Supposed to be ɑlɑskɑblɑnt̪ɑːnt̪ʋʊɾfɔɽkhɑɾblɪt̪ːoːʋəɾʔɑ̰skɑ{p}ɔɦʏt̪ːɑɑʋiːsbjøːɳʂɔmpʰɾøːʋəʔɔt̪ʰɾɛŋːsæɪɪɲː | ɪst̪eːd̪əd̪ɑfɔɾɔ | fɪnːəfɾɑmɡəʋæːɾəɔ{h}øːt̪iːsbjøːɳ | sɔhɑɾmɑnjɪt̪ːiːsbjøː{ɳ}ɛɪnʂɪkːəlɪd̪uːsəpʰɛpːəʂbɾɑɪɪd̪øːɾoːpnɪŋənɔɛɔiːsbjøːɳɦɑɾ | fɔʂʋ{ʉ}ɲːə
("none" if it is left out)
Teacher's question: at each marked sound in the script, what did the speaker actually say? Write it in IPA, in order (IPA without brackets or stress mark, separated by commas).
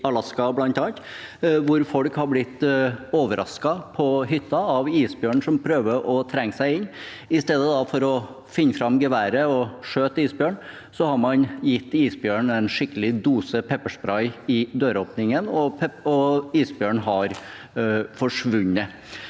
pʰ, ʂ, ɳ, ʉ